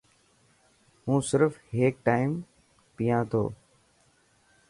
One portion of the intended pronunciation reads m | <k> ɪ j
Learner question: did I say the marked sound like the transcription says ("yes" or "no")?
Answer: no